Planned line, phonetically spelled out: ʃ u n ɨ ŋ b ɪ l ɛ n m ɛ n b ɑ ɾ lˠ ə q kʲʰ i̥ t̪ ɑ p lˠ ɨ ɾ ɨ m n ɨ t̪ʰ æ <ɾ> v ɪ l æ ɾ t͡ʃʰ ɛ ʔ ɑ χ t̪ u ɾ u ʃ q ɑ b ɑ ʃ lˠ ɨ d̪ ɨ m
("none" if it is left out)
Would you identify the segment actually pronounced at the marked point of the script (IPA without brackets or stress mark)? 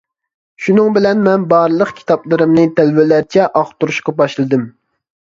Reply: l